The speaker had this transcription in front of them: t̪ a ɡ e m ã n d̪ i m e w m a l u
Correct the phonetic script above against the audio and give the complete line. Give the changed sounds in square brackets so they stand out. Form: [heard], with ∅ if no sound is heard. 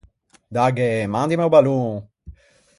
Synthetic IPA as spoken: [d̪] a ɡ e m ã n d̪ i m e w [b] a l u

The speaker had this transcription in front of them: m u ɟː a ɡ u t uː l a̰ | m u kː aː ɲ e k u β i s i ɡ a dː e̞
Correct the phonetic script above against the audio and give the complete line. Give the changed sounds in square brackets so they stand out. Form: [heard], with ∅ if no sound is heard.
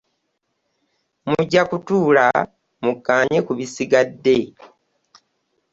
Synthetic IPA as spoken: m u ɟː a [k] u t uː l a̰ | m u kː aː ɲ e k u β i s i ɡ a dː e̞

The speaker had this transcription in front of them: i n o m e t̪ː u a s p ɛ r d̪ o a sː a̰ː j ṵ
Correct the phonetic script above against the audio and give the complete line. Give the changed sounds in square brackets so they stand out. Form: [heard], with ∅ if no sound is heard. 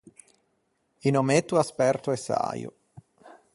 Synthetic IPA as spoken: i n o m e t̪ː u a s p ɛ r [t̪] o [ɛ] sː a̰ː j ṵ

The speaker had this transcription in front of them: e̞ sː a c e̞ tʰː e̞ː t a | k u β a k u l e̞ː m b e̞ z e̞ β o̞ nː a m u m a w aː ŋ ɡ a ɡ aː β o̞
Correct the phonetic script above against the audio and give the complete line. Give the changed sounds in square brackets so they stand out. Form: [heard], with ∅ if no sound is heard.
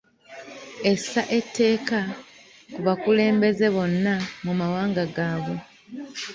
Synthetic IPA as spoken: e̞ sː a [ʔ] e̞ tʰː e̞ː [k] a | k u β a k u l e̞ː m b e̞ z e̞ β o̞ nː a m u m a w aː ŋ ɡ a ɡ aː β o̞

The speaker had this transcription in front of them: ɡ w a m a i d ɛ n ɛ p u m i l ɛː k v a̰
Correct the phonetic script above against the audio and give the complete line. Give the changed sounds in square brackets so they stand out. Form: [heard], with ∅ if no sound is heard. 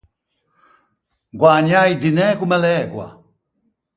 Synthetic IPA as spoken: ɡ w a [ɲ] a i d [i] n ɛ [k] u m [ɛ] l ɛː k [w] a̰

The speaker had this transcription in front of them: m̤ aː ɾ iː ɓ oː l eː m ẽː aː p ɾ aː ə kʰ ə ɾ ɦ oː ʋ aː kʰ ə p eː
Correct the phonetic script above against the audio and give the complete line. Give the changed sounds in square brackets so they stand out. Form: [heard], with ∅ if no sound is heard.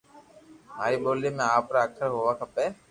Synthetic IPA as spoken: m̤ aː ɾ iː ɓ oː l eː m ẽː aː p ɾ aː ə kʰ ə ɾ ɦ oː ʋ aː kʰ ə p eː

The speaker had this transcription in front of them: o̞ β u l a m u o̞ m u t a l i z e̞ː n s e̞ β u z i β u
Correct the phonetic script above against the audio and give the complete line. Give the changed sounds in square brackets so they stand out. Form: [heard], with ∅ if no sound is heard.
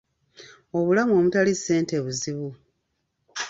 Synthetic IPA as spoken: o̞ β u l a m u o̞ m u t a l i [s] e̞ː n [t] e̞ β u z i β u

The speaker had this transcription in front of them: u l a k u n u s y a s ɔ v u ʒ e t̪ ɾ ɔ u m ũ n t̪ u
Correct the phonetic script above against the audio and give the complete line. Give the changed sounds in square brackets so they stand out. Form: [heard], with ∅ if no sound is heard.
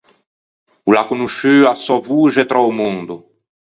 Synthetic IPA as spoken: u l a k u n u [ʃ] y a s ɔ v u ʒ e t̪ ɾ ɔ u m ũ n [d̪] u

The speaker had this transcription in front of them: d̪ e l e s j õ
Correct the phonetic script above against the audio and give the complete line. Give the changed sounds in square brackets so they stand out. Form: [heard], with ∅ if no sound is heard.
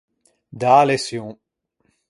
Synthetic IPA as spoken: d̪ [a] l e s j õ

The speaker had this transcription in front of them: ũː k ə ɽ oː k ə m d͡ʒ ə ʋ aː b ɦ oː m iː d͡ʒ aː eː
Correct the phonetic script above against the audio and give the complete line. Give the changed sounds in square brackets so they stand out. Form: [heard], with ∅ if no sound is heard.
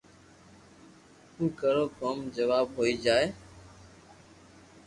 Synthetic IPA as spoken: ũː k ə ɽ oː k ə m d͡ʒ ə ʋ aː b ɦ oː [∅] iː d͡ʒ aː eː

